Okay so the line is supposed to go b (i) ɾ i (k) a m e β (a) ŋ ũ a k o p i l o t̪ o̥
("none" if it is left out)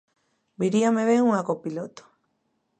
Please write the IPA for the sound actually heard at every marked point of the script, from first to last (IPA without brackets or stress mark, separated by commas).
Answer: i, none, e